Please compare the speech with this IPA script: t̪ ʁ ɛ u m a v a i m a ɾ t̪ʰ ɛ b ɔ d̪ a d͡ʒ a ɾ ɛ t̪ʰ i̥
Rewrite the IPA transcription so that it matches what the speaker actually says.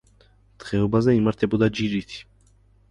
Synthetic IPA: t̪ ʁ ɛ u b a z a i m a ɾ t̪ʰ ɛ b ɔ d̪ a d͡ʒ i ɾ i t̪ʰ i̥